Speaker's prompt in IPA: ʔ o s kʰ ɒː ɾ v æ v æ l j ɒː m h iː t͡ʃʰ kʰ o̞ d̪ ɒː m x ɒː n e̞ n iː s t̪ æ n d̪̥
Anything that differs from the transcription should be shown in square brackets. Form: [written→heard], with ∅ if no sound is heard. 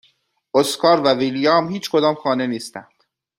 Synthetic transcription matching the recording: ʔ o s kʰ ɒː ɾ v æ v [æ→i] l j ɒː m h iː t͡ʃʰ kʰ o̞ d̪ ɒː m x ɒː n e̞ n iː s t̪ æ n d̪̥

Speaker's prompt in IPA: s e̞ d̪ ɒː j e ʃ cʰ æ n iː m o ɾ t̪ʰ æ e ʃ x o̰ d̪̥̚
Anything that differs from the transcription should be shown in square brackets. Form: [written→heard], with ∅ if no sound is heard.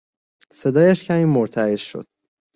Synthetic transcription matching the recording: s e̞ d̪ ɒː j [e→æ] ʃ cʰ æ [n→m] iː m o ɾ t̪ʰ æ e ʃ [x→ʃ] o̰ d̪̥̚

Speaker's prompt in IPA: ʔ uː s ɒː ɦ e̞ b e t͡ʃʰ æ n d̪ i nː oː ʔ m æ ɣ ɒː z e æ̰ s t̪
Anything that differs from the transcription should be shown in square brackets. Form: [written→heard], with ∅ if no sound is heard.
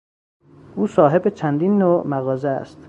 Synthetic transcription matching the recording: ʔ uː s ɒː ɦ e̞ b e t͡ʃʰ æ n d̪ i nː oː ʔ m æ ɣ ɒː z e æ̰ s t̪

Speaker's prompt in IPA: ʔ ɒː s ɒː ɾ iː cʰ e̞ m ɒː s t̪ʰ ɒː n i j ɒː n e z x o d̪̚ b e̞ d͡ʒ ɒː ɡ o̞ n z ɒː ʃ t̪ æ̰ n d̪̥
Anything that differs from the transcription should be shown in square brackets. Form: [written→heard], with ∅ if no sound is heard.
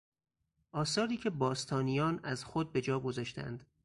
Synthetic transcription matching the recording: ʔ ɒː s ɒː ɾ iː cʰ e̞ [m→b] ɒː s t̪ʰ ɒː n i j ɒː n [e→æ] z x o d̪̚ b e̞ d͡ʒ ɒː ɡ o̞ [n→∅] z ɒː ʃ t̪ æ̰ n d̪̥

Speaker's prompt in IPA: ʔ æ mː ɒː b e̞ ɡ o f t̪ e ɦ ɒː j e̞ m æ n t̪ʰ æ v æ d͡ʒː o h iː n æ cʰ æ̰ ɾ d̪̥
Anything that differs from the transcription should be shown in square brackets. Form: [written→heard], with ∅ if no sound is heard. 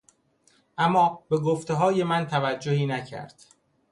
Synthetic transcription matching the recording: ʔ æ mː ɒː b e̞ ɡ o f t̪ e ɦ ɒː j e̞ m æ n t̪ʰ æ v æ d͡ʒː o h iː n æ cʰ æ̰ ɾ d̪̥

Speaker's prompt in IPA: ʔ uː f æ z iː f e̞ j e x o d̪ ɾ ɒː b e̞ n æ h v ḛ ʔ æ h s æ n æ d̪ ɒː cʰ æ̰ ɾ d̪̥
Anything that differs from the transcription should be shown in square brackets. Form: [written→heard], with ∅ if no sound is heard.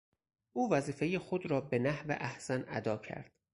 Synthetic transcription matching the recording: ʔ uː [f→v] æ z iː f e̞ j e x o d̪ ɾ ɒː b e̞ n æ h v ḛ ʔ æ h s æ n æ d̪ ɒː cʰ æ̰ ɾ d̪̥

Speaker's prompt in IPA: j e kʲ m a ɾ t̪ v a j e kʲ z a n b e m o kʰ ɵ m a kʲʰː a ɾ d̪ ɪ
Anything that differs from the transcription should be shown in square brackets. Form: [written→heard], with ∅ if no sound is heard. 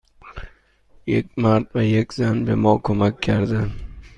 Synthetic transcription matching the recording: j e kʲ m a ɾ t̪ v a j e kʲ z a n b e m [o→ɒ] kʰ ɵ m a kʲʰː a ɾ d̪ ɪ

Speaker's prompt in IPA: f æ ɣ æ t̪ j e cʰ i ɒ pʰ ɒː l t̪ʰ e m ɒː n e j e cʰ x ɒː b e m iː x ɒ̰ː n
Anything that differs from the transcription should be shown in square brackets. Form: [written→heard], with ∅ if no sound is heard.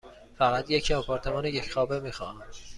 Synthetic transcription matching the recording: f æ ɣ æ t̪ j e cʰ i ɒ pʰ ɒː [l→ɾ] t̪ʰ e m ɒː n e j e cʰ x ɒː b e m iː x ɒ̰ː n

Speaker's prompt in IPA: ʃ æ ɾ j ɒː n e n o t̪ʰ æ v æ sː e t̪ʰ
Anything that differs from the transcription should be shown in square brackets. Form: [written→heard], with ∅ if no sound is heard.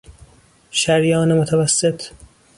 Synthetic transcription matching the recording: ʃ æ ɾ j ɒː n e [n→m] o t̪ʰ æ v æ sː e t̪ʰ

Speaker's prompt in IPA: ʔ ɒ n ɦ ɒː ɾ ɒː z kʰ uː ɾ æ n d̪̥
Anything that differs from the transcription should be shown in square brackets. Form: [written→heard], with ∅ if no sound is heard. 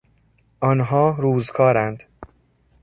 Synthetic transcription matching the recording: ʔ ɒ n ɦ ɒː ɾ [ɒː→uː] z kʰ [uː→ɒː] ɾ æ n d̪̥

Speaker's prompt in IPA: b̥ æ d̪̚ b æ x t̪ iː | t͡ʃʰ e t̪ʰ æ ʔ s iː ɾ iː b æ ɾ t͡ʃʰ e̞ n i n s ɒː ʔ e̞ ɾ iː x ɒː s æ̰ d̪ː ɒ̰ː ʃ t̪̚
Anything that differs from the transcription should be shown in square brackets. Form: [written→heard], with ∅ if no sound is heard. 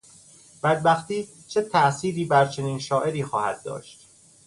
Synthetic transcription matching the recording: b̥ æ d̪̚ b æ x t̪ iː | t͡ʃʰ e t̪ʰ æ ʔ s iː ɾ iː b æ ɾ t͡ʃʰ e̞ n [i→iː] n [s→ʃ] ɒː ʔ e̞ ɾ iː x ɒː [s→h] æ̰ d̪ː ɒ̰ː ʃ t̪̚

